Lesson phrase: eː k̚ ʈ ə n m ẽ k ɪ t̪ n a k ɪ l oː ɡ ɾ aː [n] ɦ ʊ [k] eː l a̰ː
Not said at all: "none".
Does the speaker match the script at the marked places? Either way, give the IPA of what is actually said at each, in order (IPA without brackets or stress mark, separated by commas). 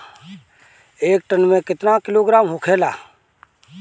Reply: m, kʰ